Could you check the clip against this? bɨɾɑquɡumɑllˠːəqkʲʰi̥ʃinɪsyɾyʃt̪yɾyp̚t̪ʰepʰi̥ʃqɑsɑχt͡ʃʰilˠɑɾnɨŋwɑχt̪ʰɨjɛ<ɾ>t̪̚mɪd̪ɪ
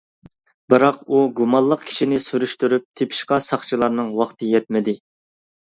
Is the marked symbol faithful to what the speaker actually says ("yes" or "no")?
no